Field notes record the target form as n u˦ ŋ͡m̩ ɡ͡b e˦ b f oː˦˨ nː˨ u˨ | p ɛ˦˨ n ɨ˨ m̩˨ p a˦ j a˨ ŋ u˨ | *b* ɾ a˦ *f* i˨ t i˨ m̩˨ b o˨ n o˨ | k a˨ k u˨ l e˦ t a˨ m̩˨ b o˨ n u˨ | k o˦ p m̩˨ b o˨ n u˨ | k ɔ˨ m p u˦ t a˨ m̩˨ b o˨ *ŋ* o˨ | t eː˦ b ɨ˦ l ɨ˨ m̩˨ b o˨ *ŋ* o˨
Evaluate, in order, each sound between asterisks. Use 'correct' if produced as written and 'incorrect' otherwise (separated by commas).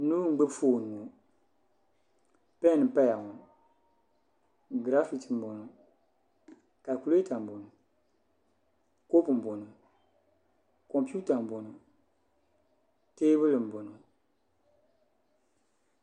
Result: incorrect, correct, incorrect, incorrect